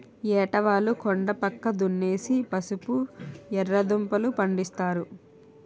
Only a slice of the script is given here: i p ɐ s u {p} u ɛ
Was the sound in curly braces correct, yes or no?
yes